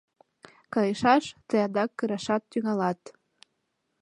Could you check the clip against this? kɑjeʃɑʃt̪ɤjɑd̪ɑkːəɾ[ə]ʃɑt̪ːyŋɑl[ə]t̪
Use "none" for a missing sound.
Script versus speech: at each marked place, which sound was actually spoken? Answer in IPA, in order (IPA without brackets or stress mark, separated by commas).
ɑ, ɑ